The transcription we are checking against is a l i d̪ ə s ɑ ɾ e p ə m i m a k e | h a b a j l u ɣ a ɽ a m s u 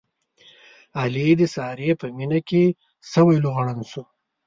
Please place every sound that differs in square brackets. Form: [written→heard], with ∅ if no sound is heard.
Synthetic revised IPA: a l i d̪ ə s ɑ ɾ e p ə m i [m→n] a k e | [h→s] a [b→w] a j l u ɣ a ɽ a [m→n] s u